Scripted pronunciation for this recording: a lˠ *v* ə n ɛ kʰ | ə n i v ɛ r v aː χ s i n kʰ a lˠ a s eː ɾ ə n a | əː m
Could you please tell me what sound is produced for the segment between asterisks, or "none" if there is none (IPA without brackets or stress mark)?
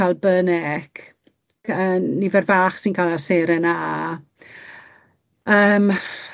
b